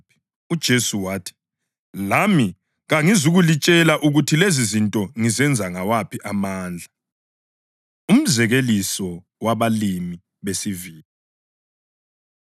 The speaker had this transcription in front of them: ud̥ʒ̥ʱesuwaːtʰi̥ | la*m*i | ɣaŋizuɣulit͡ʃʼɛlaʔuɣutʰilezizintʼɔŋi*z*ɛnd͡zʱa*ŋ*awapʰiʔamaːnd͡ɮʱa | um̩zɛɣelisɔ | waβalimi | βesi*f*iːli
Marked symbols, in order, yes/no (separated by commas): yes, yes, yes, no